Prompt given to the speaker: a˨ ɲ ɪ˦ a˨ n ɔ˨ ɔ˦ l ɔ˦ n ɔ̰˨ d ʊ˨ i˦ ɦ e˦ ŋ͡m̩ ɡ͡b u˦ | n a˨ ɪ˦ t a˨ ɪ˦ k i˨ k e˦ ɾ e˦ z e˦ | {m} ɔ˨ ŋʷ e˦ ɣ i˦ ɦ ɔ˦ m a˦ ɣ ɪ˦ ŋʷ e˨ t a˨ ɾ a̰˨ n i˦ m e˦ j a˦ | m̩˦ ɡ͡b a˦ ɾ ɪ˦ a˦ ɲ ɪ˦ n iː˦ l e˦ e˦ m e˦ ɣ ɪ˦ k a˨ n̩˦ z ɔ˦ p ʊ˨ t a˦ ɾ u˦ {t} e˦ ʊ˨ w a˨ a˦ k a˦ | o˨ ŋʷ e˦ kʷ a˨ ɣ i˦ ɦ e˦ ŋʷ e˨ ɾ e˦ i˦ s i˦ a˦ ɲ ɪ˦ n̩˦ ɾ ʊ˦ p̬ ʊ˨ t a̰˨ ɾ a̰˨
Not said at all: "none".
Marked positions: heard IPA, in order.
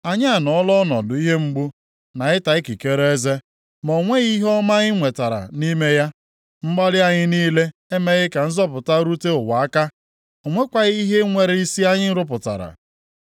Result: m, t

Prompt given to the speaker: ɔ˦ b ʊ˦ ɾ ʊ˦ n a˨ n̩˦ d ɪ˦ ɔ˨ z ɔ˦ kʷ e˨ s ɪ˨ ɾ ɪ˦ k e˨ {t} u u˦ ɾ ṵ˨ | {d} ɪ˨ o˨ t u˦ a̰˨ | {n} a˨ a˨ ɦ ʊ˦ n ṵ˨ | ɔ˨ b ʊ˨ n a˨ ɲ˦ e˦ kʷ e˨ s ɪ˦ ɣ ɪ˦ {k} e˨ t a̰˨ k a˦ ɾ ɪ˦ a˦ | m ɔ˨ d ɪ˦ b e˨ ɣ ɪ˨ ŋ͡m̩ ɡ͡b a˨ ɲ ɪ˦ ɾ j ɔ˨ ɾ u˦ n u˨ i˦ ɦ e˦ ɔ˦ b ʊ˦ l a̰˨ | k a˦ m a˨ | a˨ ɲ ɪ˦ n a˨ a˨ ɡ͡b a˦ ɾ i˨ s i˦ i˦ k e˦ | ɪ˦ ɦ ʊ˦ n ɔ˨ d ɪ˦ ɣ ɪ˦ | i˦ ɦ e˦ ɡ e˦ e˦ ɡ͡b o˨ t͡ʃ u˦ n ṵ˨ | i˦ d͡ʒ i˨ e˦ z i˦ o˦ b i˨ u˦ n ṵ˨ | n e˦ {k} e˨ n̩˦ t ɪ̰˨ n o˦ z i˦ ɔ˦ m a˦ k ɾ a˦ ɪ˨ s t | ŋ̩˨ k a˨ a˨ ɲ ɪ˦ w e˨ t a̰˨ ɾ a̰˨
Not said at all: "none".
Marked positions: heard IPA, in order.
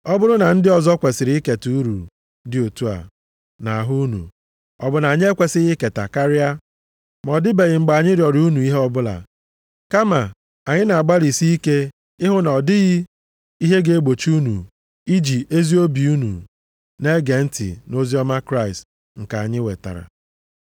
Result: t, d, n, k, ɡ

